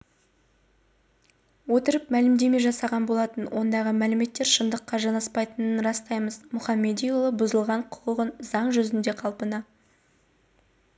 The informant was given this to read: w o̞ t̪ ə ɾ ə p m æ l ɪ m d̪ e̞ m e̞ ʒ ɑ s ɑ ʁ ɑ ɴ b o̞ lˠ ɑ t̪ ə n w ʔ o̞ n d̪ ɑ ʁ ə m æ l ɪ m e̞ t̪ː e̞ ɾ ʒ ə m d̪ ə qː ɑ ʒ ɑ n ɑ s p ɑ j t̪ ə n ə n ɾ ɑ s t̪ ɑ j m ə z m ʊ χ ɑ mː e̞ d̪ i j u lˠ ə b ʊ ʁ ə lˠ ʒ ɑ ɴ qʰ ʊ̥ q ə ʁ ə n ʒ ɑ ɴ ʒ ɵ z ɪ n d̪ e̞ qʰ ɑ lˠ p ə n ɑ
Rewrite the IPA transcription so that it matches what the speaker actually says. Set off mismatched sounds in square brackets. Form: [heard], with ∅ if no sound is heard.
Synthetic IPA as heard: w o̞ t̪ ə ɾ ə p m æ l ɪ m d̪ e̞ m e̞ ʒ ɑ s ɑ ʁ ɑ [n] b o̞ lˠ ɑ t̪ ə n w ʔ o̞ n d̪ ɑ ʁ ə m æ l ɪ m e̞ t̪ː e̞ ɾ [ʃ] ə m d̪ ə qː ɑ ʒ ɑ n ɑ s p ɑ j t̪ ə n ə n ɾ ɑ s t̪ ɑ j m ə z m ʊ χ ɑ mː e̞ d̪ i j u lˠ ə b ʊ [z] ə lˠ [ʁ] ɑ ɴ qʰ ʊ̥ q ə ʁ ə n [z] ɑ ɴ ʒ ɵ z ɪ n d̪ e̞ qʰ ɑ lˠ p ə n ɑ